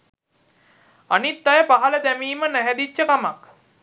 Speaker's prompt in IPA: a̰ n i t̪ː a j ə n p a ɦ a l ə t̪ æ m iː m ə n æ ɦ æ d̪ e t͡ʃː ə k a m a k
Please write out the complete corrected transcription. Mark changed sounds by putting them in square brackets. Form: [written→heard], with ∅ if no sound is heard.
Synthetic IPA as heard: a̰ n i t̪ː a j ə [n→∅] p a ɦ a l ə [t̪→d̪] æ m iː m ə n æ ɦ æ d̪ [e→i] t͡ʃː ə k a m a k